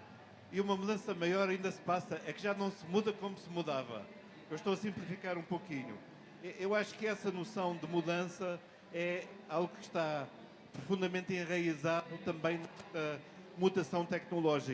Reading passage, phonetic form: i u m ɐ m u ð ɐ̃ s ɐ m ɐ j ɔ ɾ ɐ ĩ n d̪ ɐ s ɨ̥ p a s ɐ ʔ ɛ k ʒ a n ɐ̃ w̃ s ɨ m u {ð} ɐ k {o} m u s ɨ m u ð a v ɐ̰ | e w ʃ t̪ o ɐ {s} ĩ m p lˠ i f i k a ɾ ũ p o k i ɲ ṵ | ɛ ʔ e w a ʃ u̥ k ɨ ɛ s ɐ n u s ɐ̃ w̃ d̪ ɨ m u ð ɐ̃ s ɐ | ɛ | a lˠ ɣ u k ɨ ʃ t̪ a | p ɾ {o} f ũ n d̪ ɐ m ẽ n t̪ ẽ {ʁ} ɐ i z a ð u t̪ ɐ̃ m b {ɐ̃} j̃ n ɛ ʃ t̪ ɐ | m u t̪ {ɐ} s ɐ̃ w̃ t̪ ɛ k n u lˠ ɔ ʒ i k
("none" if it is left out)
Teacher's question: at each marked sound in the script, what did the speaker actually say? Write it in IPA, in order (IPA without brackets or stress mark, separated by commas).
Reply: ð, o, s, u, ʁ, ɐ̃, ɐ